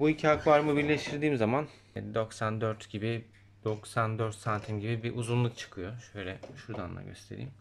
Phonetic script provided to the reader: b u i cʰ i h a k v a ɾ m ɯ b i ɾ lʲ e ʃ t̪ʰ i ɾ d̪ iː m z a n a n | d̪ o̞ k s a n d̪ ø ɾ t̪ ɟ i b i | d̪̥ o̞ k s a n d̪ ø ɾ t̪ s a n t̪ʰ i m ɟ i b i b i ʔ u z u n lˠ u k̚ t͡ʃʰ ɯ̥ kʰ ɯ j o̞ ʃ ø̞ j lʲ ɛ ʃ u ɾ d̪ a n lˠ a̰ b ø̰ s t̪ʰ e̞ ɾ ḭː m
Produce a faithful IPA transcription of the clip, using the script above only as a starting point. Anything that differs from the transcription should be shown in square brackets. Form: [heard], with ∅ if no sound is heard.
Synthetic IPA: b u i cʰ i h a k v a ɾ m ɯ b i ɾ lʲ e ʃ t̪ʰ i ɾ d̪ iː m z a [m] a n | d̪ o̞ k s a n d̪ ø ɾ t̪ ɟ i b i | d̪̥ o̞ k s a n d̪ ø ɾ t̪ s a n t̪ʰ i m ɟ i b i b i ʔ u z u n lˠ u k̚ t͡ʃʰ ɯ̥ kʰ ɯ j o̞ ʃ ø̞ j lʲ ɛ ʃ u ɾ d̪ a n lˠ a̰ [ɟ] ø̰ s t̪ʰ e̞ ɾ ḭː m